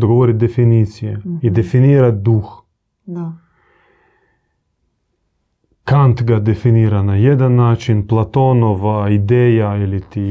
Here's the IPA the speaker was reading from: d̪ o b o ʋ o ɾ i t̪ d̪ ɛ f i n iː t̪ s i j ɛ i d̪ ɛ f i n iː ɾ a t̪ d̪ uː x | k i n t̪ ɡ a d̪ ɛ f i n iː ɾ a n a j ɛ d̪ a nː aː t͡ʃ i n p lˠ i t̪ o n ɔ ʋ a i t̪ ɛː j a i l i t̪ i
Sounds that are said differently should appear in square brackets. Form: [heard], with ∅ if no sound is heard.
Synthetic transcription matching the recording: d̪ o [ɡ] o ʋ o ɾ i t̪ d̪ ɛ f i n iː t̪ s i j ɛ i d̪ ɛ f i n iː ɾ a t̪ d̪ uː x | k [a] n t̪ ɡ a d̪ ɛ f i n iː ɾ a n a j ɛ d̪ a nː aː t͡ʃ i n p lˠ [a] t̪ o n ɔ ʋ a i [d̪] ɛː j a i l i t̪ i